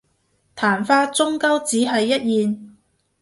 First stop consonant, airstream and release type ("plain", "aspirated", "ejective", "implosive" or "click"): aspirated